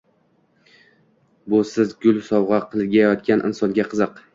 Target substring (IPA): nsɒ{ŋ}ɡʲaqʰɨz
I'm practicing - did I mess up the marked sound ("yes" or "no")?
yes